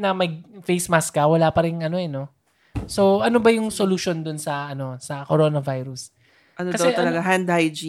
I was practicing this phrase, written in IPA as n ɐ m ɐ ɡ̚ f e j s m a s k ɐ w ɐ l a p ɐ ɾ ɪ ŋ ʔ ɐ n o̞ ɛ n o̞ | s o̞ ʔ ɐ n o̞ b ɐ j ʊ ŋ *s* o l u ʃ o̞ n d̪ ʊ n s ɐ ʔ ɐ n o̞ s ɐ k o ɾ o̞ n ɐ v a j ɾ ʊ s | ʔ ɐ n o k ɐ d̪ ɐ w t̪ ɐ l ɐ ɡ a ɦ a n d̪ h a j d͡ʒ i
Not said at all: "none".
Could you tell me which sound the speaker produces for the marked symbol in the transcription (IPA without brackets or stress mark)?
s